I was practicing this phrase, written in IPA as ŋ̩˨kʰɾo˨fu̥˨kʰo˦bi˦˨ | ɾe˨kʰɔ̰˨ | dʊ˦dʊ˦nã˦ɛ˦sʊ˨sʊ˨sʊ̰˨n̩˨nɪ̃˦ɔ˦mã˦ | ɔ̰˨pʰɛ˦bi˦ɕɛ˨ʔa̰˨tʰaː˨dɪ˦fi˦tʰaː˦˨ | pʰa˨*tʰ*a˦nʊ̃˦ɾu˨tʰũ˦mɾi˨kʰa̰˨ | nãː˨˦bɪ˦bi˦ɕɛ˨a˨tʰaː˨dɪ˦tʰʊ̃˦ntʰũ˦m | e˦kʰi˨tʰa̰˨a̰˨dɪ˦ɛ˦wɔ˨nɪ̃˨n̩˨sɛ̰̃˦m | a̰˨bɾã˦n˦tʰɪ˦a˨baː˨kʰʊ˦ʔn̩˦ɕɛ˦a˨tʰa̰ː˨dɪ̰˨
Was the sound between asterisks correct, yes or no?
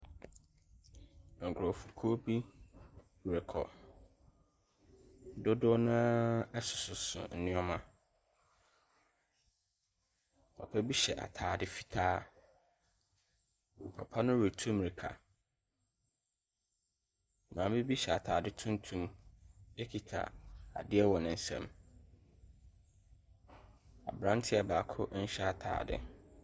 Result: no